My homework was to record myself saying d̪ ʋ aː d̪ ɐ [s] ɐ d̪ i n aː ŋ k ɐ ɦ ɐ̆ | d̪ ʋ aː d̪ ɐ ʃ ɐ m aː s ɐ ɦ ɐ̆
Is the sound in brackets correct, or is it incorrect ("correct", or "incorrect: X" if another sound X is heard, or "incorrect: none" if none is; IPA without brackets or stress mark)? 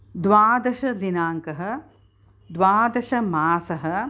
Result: incorrect: ʃ